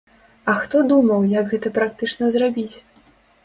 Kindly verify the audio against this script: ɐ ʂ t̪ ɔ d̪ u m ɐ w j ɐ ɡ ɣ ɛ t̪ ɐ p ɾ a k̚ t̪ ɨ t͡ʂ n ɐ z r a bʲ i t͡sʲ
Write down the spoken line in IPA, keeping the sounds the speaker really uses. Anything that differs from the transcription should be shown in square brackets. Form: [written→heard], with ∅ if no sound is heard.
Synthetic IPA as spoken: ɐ [ʂ→x] t̪ ɔ d̪ u m ɐ w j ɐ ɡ ɣ ɛ t̪ ɐ p ɾ a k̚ t̪ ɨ t͡ʂ n ɐ z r a bʲ i t͡sʲ